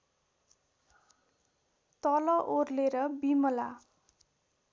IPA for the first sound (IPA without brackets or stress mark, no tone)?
t̪